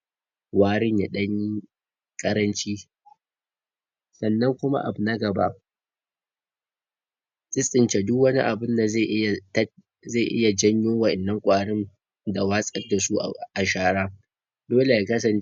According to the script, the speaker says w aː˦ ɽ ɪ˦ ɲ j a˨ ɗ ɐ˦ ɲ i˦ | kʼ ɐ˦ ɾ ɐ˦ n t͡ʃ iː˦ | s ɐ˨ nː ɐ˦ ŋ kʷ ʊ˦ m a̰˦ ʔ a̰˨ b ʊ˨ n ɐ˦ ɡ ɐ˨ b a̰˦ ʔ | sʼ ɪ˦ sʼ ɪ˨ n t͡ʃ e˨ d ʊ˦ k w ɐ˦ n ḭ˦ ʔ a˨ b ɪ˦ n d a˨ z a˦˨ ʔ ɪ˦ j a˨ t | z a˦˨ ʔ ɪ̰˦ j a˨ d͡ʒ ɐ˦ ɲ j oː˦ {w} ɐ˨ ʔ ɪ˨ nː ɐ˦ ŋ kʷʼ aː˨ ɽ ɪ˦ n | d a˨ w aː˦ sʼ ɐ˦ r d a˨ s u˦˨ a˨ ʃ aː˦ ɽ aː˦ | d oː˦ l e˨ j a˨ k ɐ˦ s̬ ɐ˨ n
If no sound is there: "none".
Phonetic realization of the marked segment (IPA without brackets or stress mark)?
w